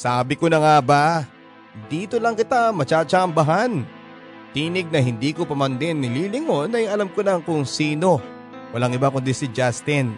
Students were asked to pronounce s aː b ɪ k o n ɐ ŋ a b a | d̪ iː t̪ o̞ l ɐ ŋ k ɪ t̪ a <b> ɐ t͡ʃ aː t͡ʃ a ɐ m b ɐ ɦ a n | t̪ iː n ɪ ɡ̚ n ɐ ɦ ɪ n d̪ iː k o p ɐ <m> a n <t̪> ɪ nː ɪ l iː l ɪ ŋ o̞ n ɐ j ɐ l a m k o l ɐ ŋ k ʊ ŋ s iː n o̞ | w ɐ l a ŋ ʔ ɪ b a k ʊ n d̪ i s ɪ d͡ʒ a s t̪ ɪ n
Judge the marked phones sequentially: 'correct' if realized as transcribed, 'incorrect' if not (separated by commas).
incorrect, correct, incorrect